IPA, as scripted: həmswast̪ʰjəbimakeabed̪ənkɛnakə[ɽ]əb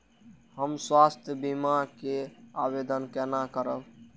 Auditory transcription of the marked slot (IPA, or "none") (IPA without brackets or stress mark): ɾ